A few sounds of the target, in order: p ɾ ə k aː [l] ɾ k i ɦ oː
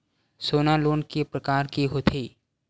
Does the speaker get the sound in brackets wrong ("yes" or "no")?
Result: yes